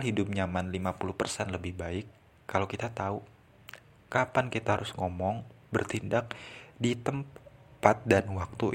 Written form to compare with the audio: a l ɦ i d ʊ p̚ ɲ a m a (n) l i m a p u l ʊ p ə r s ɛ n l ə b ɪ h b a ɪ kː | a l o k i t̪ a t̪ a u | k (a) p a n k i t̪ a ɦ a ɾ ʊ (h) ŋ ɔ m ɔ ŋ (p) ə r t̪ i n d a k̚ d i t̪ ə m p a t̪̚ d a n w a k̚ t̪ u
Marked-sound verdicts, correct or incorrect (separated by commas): correct, correct, incorrect, incorrect